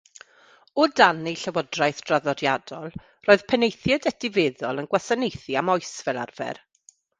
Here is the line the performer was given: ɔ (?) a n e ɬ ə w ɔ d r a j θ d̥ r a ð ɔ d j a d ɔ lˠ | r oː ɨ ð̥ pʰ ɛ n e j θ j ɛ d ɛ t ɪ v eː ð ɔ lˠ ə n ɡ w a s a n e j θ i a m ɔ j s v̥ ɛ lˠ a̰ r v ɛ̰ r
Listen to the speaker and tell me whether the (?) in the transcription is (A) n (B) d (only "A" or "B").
B